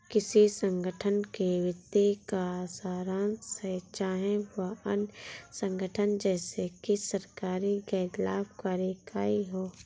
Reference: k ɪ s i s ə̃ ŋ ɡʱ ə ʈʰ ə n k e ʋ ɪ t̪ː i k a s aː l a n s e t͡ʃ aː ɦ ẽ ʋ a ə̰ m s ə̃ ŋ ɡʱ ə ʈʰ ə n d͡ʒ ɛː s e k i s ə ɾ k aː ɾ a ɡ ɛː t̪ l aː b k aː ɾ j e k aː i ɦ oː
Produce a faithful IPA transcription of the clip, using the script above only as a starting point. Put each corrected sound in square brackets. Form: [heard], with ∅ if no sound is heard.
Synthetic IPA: k ɪ s i s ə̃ ŋ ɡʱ ə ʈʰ ə n k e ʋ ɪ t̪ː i k a s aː [ɾ] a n s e t͡ʃ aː ɦ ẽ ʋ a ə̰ [n] s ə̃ ŋ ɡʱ ə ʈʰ ə n d͡ʒ ɛː s e k i s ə ɾ k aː ɾ [i] ɡ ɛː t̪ l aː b k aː ɾ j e k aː i ɦ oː